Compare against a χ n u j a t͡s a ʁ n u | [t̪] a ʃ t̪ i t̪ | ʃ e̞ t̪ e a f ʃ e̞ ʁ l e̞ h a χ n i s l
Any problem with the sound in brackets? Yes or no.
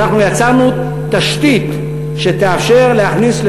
no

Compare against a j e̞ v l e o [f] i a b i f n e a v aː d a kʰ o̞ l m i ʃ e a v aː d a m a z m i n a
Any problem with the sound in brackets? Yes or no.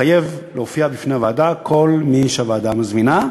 no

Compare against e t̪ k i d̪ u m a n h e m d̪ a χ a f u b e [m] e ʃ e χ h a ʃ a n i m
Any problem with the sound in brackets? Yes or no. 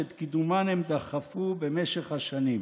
no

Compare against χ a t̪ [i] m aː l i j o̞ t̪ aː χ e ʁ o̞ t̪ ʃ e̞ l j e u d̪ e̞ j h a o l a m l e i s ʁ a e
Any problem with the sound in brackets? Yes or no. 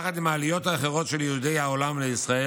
no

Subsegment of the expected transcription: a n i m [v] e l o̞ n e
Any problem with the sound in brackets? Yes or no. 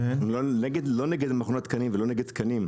no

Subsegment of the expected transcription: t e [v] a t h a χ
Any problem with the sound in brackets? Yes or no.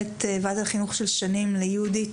no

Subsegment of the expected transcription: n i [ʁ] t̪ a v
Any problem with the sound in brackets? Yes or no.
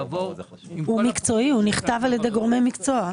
yes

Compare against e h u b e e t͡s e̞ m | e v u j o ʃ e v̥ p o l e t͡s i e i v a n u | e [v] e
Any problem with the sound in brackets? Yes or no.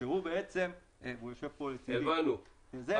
yes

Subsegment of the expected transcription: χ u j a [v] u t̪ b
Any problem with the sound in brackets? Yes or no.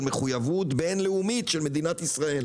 no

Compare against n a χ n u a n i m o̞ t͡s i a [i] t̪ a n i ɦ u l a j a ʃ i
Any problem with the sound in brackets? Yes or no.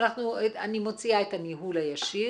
yes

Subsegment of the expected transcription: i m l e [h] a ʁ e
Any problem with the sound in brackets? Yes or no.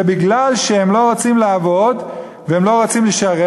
yes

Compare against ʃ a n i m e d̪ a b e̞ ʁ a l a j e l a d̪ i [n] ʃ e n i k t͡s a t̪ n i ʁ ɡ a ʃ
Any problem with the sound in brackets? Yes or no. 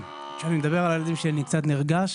yes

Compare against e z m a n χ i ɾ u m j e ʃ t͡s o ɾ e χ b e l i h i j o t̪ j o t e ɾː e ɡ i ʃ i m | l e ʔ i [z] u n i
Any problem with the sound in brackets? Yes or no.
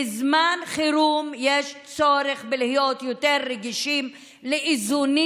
no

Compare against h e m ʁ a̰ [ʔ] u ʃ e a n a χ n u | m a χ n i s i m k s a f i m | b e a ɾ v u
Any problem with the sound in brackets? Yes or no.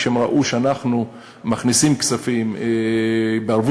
no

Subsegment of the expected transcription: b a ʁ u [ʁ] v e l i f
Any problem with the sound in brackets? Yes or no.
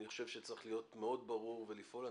no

